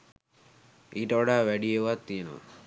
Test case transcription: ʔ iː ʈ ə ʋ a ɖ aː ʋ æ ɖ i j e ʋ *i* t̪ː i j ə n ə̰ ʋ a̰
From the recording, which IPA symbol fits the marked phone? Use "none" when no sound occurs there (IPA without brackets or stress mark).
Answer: a